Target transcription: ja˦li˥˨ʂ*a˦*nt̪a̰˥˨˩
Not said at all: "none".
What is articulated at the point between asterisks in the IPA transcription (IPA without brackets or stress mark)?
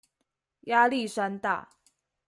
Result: a˦